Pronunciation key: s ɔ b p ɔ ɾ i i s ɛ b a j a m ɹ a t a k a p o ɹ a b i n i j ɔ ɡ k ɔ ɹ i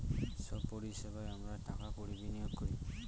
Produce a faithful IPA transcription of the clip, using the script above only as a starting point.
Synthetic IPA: s ɔ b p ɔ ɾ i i s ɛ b a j a m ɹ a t a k a k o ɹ i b i n i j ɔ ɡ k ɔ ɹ i